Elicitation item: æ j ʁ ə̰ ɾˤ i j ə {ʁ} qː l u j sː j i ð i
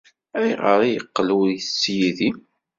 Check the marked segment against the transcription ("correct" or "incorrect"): incorrect